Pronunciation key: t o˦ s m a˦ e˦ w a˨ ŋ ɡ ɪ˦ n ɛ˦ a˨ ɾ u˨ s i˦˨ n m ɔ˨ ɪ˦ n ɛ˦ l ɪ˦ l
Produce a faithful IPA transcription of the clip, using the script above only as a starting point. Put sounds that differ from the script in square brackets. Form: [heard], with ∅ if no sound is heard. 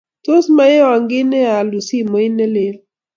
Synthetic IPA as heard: t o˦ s m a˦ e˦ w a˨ ŋ ɡ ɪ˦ n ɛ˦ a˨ [l] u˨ s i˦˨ [∅] m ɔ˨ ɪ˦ n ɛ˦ l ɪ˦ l